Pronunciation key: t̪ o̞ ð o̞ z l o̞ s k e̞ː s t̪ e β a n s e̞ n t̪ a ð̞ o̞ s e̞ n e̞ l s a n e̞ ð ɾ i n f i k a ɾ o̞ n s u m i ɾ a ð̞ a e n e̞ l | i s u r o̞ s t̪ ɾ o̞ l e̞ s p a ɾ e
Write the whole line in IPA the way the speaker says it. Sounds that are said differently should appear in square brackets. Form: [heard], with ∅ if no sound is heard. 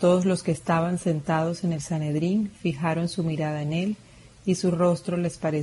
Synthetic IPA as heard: t̪ o̞ ð o̞ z l o̞ s k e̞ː s t̪ [a] β a n s e̞ n t̪ a ð̞ o̞ s e̞ n e̞ l s a n e̞ ð ɾ i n f i [x] a ɾ o̞ n s u m i ɾ a ð̞ a e n e̞ l | i s u r o̞ s t̪ ɾ o̞ l e̞ s p a ɾ e